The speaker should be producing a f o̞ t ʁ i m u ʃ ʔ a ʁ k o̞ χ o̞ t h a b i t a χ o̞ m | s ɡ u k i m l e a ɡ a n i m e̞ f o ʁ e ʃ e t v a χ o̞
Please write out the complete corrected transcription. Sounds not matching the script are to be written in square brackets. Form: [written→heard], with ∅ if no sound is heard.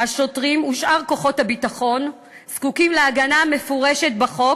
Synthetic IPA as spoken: a [f→ʃ] o̞ t ʁ i m u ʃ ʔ a ʁ k o̞ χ o̞ t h a b i t a χ o̞ [m→n] | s [ɡ→k] u k i m l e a ɡ a n [i→a] m e̞ f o ʁ e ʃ e t [v→b] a χ o̞